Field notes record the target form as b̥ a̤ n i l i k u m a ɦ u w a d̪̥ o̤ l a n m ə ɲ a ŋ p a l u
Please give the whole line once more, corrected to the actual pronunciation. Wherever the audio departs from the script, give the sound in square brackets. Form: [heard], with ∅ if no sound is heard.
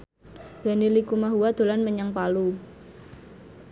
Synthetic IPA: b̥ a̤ n i l i k u m a ɦ u w a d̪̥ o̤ l a n m ə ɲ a ŋ p a l u